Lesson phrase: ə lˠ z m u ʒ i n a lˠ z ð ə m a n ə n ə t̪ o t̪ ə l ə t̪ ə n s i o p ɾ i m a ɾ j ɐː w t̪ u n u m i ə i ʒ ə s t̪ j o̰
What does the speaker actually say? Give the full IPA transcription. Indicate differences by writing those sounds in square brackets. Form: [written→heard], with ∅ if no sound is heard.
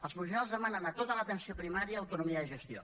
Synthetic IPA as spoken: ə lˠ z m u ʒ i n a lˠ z ð ə m a n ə n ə t̪ o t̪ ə l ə t̪ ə n s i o p ɾ i m a ɾ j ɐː w t̪ u n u m i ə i ʒ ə s t̪ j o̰